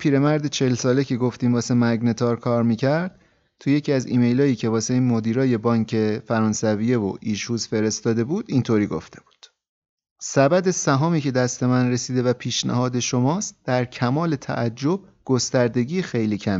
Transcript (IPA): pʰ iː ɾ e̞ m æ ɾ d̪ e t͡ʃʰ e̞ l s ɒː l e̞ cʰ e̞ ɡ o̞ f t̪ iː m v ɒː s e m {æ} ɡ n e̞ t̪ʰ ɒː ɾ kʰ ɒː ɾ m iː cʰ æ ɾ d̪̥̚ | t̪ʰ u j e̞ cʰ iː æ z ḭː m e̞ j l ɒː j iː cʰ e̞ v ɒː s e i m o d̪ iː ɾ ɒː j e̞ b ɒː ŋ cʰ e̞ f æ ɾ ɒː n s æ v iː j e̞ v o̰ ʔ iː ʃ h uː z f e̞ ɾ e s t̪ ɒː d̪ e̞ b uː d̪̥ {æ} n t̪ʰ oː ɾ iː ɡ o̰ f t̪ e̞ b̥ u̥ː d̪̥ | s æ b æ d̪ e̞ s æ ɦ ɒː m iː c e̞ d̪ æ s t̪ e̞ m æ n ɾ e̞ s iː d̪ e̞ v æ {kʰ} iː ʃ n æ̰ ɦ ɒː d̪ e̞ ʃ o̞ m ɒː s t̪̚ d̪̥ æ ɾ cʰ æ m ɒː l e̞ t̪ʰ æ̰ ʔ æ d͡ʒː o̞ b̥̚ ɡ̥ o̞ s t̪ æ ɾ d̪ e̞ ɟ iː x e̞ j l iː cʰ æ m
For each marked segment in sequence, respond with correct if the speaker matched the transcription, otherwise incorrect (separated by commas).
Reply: correct, incorrect, incorrect